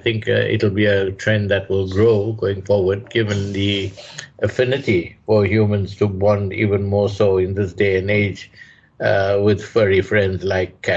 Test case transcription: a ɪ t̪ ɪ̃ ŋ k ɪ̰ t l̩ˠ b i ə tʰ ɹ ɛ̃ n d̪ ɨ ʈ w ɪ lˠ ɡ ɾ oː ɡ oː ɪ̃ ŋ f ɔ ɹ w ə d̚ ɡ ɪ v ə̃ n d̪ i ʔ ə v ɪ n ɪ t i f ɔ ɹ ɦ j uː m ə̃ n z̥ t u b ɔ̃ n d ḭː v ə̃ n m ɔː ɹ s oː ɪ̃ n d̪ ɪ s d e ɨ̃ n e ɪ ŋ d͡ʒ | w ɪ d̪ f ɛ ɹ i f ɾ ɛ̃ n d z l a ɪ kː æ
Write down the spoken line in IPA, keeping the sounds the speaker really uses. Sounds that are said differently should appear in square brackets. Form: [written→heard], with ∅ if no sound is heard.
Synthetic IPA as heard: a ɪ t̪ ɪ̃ ŋ k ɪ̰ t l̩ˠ b i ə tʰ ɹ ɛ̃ n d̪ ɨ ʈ w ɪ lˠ ɡ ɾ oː ɡ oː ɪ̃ ŋ f ɔ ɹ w ə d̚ ɡ ɪ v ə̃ n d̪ i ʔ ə [v→f] ɪ n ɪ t i f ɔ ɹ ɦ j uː m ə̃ n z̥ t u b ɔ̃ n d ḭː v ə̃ n m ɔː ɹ s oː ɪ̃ n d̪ ɪ s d e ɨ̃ n e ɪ [ŋ→∅] d͡ʒ | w ɪ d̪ f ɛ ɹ i f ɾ ɛ̃ n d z l a ɪ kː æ